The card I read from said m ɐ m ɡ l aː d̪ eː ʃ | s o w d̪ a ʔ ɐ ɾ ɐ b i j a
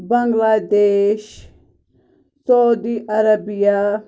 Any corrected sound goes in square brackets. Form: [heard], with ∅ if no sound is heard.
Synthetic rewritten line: [b] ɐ [ŋ] ɡ l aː d̪ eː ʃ | s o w d̪ [i] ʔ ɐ ɾ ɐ b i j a